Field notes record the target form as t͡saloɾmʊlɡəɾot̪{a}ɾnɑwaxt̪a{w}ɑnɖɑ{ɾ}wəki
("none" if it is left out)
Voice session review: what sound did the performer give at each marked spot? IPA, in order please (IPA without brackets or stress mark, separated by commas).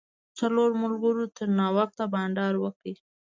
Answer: ə, b, ɾ